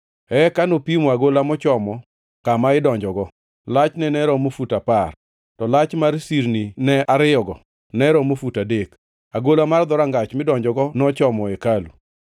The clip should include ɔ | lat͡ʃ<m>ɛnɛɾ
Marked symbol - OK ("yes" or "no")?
no